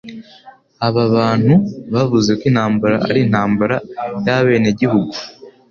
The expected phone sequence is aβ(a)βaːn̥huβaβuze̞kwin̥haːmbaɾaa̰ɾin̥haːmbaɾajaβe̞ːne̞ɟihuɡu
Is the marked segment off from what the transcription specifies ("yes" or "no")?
no